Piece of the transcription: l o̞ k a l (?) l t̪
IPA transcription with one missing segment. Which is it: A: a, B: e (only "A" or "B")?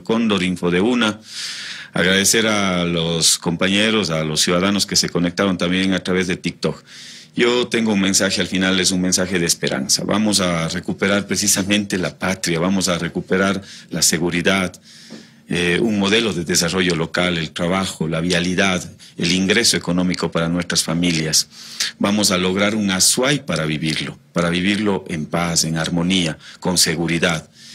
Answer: B